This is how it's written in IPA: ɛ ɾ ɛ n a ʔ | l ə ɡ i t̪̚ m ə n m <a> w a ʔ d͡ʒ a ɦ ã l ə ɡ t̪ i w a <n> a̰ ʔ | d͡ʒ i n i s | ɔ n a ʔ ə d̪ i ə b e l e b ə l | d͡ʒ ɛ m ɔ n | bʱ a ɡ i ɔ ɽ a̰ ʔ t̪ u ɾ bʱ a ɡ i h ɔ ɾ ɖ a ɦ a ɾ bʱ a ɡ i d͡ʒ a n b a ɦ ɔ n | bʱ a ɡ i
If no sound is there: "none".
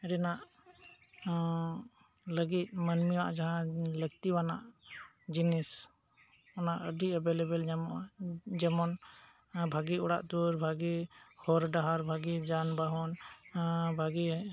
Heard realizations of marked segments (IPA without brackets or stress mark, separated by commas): i, n